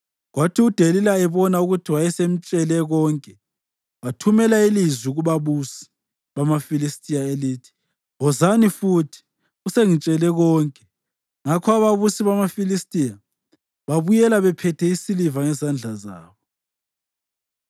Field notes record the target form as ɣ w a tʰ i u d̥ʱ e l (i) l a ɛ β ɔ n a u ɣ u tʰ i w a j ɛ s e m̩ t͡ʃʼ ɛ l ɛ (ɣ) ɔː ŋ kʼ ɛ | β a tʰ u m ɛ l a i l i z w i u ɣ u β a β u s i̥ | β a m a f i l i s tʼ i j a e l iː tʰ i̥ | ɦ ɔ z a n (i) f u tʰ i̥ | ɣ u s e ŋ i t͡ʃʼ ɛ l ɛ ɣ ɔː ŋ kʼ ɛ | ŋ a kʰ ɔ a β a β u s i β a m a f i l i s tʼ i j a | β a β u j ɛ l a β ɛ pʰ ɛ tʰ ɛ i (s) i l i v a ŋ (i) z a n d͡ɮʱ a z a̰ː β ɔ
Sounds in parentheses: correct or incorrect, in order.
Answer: correct, correct, correct, correct, incorrect

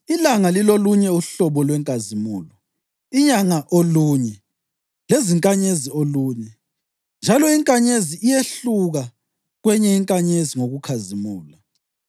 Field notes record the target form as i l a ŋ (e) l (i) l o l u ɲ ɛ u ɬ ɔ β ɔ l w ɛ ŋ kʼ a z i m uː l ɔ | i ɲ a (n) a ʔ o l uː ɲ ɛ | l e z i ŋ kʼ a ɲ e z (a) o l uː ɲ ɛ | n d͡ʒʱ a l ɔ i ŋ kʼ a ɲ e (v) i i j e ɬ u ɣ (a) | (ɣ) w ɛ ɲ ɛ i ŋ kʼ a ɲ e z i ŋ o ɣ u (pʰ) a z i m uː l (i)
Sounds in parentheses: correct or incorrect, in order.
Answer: incorrect, correct, incorrect, incorrect, incorrect, correct, correct, incorrect, incorrect

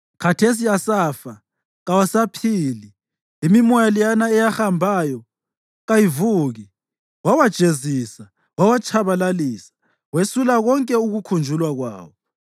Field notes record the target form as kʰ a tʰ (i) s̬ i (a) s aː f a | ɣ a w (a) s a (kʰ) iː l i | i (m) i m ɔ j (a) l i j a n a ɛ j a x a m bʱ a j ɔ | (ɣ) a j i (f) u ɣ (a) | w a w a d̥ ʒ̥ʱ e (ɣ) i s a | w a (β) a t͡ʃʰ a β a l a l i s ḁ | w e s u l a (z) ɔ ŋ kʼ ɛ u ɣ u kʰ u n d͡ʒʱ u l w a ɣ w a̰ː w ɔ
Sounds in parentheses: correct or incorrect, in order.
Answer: incorrect, correct, correct, incorrect, correct, correct, correct, incorrect, incorrect, incorrect, incorrect, incorrect

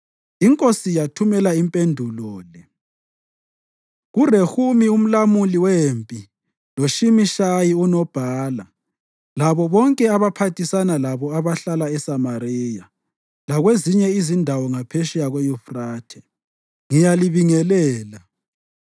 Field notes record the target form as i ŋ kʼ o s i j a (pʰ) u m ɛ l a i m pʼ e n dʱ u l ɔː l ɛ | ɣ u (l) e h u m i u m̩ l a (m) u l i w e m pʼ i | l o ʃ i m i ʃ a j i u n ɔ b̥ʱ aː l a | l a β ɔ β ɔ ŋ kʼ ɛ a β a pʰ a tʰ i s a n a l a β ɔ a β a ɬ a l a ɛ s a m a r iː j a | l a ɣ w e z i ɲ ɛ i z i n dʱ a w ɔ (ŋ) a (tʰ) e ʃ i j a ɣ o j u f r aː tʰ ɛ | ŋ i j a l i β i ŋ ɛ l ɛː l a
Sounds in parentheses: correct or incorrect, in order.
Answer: incorrect, incorrect, correct, correct, incorrect

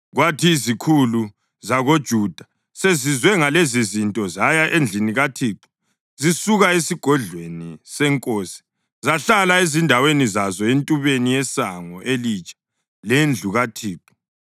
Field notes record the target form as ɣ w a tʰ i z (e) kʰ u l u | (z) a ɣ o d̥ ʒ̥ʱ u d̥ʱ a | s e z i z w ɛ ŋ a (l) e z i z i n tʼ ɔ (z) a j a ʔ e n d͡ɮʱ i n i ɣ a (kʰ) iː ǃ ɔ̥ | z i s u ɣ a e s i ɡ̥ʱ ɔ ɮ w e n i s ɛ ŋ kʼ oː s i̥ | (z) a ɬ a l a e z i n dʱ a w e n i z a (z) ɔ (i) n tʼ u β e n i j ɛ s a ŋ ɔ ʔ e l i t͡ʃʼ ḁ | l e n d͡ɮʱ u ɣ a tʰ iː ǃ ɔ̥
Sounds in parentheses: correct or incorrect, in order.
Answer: incorrect, correct, correct, correct, incorrect, correct, correct, incorrect

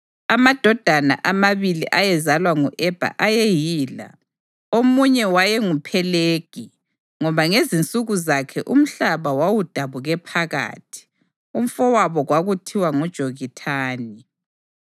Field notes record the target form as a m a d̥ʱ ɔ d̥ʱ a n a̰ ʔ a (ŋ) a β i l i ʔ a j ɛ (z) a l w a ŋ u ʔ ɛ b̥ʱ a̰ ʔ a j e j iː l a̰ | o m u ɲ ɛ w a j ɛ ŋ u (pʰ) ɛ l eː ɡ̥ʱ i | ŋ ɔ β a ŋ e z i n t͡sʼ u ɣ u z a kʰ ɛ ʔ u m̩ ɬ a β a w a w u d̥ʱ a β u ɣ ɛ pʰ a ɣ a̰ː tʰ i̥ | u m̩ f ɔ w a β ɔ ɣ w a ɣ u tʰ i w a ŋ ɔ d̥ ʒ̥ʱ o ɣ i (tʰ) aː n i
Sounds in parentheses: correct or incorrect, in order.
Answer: incorrect, correct, correct, correct

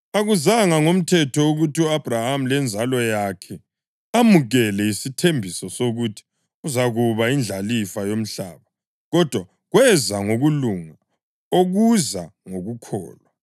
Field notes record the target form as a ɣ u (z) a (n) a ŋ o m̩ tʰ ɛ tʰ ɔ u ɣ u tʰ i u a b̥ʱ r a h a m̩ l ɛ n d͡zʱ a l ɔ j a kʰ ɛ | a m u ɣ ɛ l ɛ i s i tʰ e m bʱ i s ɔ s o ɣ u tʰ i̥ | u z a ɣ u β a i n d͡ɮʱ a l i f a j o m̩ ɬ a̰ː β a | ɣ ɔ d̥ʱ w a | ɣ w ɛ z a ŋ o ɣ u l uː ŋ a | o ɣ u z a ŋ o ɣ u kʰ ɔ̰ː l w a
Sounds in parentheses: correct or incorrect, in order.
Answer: correct, incorrect

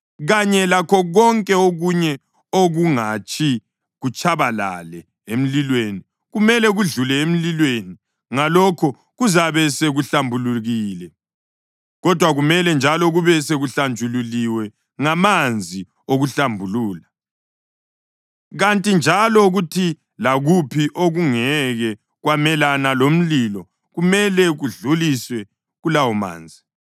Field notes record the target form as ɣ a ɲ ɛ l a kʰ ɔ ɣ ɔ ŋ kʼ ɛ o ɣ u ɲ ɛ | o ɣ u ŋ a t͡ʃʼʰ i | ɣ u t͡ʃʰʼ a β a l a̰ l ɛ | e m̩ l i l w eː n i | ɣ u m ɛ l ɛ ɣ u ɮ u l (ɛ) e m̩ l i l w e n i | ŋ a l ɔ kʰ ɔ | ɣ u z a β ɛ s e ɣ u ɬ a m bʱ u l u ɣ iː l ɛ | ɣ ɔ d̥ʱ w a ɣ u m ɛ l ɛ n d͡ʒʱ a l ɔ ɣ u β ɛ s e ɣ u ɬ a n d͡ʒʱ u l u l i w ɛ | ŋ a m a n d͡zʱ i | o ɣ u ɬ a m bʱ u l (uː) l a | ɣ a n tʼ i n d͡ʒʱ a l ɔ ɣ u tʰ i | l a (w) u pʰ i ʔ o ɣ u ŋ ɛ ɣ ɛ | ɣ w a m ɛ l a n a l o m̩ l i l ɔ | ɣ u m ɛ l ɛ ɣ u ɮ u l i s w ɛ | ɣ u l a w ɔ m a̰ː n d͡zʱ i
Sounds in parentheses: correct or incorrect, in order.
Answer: correct, correct, incorrect

